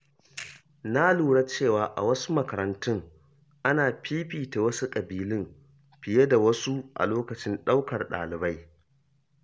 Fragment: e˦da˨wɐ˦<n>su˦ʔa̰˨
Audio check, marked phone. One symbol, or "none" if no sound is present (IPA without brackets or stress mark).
none